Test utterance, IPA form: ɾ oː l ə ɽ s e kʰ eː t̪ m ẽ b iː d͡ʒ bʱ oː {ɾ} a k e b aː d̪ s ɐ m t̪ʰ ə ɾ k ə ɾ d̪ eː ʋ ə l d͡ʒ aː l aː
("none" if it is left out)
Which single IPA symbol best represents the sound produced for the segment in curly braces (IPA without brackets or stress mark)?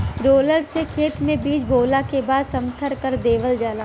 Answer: l